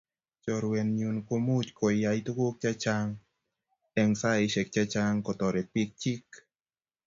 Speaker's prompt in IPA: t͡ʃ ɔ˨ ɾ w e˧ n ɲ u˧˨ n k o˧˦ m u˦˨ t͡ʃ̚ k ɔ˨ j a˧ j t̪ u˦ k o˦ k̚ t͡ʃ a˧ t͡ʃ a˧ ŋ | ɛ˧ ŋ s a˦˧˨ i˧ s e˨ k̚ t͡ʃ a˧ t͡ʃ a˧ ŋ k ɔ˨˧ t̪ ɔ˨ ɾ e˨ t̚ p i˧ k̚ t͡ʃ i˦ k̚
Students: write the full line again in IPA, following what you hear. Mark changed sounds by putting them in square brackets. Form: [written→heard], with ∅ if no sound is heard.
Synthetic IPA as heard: t͡ʃ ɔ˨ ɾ w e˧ n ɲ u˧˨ n k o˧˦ m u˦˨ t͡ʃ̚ k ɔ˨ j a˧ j t̪ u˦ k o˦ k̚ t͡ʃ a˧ t͡ʃ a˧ ŋ | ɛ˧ ŋ s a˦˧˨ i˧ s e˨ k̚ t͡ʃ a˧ t͡ʃ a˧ ŋ k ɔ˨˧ t̪ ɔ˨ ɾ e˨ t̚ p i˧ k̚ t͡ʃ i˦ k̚

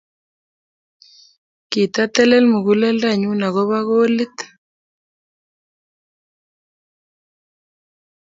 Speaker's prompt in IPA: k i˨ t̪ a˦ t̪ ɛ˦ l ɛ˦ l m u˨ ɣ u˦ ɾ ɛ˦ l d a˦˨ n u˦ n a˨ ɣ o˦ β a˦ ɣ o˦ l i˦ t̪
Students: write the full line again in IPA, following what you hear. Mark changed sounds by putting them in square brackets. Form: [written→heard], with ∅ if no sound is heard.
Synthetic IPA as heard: k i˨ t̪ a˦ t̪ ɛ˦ l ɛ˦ l m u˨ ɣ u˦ [ɾ→l] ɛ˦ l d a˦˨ [n→ɲ] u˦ n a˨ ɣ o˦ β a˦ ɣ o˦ l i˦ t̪

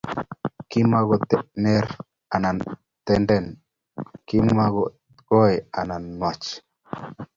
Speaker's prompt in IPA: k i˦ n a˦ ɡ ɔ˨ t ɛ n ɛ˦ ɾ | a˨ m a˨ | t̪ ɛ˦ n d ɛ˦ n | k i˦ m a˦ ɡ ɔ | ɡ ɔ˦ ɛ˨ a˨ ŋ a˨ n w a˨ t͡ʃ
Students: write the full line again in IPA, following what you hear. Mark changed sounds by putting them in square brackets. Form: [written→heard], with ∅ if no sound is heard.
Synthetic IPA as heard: k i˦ [n→m] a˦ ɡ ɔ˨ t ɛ n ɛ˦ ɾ | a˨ [m→n] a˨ | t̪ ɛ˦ n d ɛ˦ n | k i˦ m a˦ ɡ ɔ | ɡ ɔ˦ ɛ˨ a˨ [ŋ→n] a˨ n w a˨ t͡ʃ

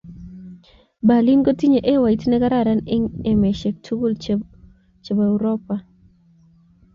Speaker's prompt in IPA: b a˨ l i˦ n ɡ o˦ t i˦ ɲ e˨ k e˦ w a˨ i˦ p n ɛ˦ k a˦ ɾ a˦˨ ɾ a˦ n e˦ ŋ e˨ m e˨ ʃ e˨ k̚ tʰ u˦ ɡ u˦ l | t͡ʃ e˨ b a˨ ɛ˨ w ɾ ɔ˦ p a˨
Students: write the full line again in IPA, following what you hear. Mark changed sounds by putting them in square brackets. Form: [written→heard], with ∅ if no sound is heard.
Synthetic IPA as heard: b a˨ l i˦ n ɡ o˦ t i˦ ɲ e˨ [k→ʔ] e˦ w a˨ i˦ [p→t] n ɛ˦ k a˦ ɾ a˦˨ ɾ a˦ n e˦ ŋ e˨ m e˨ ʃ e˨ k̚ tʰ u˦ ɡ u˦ l | t͡ʃ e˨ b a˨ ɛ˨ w ɾ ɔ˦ p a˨

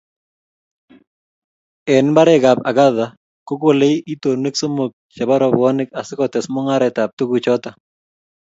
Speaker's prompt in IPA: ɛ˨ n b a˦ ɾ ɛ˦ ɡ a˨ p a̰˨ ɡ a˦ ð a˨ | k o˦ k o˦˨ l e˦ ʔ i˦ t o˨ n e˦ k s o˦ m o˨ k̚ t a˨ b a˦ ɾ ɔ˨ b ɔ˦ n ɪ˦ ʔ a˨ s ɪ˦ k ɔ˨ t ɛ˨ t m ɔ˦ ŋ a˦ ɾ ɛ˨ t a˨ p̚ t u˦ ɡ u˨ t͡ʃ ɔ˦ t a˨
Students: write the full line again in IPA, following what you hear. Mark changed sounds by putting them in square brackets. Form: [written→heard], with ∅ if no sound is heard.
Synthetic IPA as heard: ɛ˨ n b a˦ ɾ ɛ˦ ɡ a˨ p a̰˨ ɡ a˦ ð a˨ | k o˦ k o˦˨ l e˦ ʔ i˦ t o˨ n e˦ k s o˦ m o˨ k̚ [t→t͡ʃ] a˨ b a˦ ɾ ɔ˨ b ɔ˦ n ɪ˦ [ʔ→k] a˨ s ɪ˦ k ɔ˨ t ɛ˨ [t→s] m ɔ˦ ŋ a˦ ɾ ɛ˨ t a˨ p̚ t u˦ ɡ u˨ t͡ʃ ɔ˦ t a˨

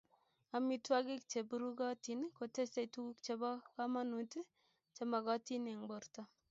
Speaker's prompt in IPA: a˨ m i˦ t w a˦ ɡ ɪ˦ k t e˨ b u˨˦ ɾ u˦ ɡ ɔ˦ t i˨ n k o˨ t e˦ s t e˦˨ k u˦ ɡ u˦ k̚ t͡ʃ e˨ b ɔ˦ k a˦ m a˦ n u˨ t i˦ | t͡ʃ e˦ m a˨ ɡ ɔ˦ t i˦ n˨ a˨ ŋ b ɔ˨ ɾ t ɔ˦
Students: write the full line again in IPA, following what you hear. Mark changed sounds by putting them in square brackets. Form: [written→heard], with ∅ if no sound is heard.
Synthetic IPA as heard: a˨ m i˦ t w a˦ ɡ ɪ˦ k [t→t͡ʃ] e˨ b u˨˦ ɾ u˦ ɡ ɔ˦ t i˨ n k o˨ t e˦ s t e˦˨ [k→t] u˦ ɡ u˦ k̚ t͡ʃ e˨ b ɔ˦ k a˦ m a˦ n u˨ t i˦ | t͡ʃ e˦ m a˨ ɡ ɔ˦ t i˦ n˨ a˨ ŋ b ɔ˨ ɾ t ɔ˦

